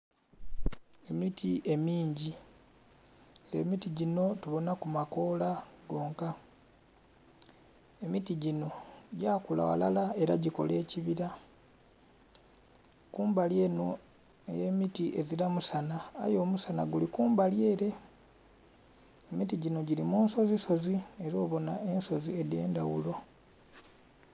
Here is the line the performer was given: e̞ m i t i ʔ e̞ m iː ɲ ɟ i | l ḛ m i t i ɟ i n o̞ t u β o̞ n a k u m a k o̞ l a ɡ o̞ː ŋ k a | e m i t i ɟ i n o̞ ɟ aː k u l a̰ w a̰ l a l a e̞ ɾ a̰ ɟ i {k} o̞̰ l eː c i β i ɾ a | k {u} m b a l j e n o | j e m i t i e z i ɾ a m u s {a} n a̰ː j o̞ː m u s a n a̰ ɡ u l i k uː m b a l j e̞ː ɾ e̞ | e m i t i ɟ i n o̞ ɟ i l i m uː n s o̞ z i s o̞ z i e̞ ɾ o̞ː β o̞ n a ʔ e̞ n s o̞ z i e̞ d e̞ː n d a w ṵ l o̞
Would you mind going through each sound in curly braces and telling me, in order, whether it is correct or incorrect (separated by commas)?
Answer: correct, incorrect, correct